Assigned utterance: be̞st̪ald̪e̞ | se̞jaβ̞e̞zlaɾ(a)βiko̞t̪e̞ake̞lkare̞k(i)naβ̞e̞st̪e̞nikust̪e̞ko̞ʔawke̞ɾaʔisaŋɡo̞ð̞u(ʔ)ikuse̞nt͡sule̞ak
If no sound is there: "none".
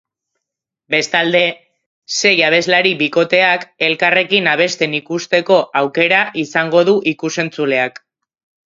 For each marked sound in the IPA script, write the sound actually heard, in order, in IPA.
i, i, ʔ

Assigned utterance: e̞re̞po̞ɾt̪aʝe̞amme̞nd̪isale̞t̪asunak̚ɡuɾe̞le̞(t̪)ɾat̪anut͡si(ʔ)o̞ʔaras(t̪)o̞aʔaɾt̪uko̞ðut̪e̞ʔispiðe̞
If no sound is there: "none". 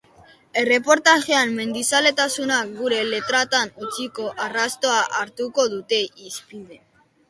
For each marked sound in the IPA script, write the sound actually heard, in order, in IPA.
t̪, k, t̪

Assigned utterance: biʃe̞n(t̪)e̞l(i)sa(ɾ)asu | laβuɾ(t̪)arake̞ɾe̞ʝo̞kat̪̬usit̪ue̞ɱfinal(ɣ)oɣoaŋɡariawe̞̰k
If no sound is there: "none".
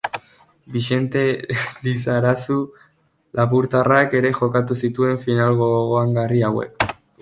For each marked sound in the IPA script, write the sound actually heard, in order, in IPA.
t̪, i, ɾ, t̪, ɣ

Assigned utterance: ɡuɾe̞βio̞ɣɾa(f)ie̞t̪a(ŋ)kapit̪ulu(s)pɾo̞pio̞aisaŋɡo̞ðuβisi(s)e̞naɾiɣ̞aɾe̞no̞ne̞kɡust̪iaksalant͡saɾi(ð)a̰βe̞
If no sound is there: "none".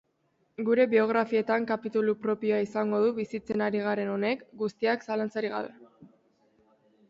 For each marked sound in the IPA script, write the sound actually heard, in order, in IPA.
f, ŋ, none, t͡s, ɣ

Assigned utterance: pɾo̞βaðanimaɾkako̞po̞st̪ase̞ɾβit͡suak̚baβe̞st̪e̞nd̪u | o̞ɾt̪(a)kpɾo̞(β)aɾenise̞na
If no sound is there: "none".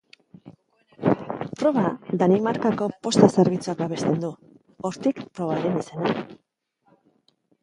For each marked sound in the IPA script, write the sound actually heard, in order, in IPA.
i, β

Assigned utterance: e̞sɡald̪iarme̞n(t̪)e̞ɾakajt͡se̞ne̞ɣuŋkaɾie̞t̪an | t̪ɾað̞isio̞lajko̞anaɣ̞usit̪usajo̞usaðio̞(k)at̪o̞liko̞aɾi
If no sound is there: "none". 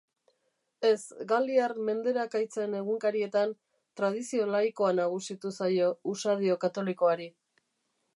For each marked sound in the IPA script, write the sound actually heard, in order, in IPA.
d̪, k

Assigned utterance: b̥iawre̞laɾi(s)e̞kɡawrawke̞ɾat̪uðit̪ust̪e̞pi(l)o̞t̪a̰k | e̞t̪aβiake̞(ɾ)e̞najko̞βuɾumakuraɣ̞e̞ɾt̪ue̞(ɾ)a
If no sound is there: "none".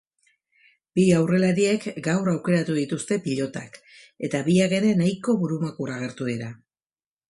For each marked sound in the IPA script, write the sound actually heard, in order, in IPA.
none, ʎ, ɾ, ɾ

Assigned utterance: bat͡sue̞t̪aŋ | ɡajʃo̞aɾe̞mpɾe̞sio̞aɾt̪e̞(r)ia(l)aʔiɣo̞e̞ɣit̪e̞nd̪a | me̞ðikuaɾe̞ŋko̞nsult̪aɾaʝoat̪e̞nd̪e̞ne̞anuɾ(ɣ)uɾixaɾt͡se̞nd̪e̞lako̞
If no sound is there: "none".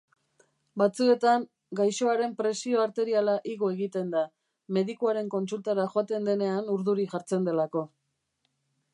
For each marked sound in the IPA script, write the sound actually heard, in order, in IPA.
ɾ, l, ð

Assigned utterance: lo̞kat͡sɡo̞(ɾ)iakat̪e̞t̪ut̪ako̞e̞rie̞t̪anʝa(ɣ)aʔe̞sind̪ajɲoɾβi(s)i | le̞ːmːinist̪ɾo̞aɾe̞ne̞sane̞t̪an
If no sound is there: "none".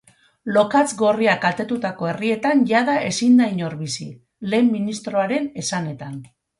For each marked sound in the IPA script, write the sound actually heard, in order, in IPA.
r, ð, s

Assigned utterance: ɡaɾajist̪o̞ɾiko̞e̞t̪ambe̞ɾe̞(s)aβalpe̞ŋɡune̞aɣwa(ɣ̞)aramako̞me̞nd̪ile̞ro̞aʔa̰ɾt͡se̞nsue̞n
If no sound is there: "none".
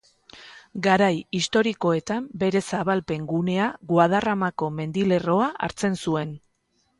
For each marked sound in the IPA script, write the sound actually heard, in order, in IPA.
s, ð̞

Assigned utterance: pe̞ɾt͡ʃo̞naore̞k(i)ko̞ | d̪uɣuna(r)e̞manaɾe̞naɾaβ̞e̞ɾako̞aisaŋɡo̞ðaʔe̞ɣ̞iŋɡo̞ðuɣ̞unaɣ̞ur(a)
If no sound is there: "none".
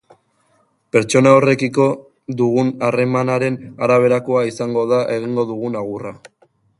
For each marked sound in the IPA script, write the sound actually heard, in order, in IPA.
i, r, a

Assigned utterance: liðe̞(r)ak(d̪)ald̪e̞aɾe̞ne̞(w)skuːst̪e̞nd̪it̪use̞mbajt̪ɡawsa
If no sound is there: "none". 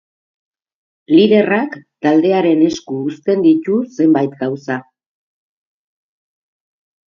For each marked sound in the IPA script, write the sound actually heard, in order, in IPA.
r, t̪, none

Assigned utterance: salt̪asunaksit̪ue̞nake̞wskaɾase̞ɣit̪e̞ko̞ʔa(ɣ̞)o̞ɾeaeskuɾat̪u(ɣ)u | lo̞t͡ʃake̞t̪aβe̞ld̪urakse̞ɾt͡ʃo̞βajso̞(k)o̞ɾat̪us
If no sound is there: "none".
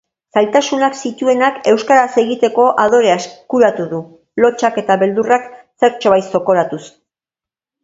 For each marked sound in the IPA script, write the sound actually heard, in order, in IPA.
ð̞, ð, k

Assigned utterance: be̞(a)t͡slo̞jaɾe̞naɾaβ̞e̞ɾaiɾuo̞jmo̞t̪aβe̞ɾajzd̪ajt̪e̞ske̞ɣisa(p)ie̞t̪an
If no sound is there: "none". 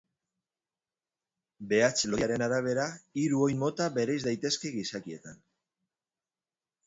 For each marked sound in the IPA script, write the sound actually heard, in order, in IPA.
a, k

